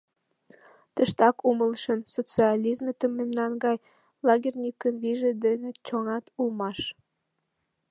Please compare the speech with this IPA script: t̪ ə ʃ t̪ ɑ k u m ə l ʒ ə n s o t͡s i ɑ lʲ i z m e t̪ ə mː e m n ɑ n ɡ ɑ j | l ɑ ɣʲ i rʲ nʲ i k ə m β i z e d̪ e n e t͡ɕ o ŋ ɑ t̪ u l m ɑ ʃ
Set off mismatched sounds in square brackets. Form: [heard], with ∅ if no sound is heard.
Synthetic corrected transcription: t̪ ə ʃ t̪ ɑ k u m ə l [ʃ] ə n s o t͡s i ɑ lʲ i z m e t̪ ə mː e m n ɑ n ɡ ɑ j | l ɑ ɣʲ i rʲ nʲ i k ə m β i [ʒ] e d̪ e n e t͡ɕ o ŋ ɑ t̪ u l m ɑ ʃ